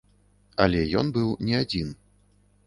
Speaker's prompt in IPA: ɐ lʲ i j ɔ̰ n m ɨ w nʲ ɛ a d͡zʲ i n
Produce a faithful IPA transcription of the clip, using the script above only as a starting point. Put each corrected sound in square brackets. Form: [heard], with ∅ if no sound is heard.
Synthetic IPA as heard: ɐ lʲ [ɛ] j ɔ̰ n [b] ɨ w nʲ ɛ a d͡zʲ i n